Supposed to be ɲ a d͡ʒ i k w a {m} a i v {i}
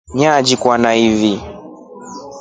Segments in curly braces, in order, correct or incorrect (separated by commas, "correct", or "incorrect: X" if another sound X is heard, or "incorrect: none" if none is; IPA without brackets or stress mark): incorrect: n, correct